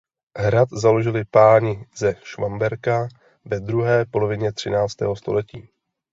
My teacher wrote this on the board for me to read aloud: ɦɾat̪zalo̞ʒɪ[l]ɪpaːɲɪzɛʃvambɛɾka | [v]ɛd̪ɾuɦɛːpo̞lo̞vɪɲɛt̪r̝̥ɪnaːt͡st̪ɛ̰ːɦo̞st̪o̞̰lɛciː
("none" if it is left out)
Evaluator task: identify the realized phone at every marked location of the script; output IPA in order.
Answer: l, v

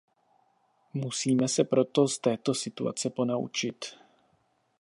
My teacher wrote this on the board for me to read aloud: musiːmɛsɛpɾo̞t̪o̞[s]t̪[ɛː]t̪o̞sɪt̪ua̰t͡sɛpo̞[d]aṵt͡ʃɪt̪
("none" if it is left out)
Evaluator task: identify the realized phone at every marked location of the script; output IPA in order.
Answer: s, ɛː, n

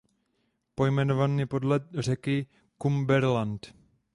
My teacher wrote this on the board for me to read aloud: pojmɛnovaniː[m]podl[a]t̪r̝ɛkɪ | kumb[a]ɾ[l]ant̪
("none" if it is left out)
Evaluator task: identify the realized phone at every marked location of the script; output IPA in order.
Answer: none, ɛ, ɛ, l

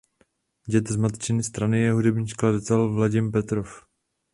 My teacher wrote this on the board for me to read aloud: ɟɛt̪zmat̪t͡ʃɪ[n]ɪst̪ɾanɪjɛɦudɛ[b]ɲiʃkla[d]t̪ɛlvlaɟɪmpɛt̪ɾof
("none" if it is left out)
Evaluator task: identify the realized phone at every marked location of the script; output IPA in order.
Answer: n, b, d

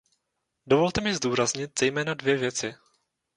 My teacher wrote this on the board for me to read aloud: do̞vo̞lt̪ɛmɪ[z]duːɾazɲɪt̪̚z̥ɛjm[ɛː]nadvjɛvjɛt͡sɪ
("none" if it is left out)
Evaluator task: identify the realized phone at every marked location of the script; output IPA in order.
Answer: z, ɛː

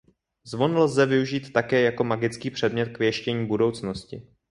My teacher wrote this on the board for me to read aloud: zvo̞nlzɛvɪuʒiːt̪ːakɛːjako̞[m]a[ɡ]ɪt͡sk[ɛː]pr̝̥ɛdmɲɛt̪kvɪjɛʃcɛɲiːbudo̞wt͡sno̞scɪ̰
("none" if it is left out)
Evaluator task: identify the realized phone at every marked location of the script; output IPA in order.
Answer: m, ɡ, iː

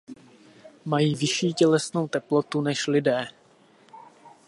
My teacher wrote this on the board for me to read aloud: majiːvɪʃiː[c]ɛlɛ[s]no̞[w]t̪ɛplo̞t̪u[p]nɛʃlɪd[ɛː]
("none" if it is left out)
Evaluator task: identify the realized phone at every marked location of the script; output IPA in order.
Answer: c, s, w, none, ɛː

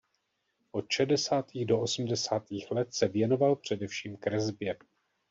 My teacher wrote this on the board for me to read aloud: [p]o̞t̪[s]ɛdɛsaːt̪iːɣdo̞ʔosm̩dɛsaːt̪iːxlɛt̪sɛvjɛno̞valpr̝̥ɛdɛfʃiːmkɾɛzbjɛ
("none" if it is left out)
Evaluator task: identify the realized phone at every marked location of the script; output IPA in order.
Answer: ʔ, ʃ

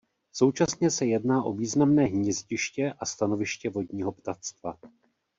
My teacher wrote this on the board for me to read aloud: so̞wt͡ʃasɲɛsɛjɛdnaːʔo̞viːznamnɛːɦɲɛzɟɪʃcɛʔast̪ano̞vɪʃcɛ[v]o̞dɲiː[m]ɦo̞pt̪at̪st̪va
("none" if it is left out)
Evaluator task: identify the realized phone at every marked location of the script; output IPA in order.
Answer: v, none

